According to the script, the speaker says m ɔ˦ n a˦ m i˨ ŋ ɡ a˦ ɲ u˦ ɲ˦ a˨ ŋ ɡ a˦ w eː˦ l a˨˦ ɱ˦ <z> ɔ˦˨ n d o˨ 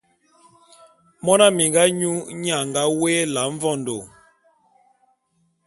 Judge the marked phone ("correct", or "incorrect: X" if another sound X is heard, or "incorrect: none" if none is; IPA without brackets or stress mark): incorrect: v